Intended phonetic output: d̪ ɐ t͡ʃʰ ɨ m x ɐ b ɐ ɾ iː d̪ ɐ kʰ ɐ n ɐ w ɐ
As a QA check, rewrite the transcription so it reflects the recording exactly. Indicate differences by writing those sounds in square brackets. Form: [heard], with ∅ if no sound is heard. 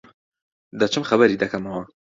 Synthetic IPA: d̪ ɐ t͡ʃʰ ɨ m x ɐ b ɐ ɾ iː d̪ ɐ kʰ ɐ [m] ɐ w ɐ